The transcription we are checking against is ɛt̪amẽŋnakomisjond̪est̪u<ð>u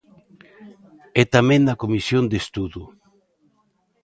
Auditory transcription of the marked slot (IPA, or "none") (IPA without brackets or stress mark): ð